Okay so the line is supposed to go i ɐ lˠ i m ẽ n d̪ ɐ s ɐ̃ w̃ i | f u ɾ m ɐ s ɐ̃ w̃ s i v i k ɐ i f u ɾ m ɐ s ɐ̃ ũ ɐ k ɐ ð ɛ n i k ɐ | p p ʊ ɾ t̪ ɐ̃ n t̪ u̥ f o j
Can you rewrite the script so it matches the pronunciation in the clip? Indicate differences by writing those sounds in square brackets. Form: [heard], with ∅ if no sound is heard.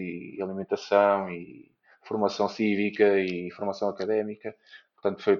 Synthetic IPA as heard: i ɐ lˠ i m ẽ n [t̪] ɐ s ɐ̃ w̃ i | f u ɾ m ɐ s ɐ̃ w̃ s i v i k ɐ i f u ɾ m ɐ s ɐ̃ [w̃] ɐ k ɐ ð ɛ [m] i k ɐ | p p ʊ ɾ t̪ ɐ̃ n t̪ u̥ f o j